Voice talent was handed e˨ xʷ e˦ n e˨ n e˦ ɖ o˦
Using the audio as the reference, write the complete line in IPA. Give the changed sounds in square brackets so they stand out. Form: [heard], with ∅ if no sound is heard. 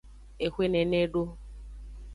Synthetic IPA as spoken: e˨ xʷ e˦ n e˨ n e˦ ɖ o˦